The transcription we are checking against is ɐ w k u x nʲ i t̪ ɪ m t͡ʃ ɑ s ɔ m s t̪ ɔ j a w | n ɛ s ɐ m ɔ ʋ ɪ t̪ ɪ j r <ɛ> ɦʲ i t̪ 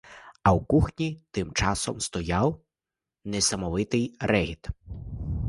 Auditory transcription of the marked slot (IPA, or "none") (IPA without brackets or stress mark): ɛ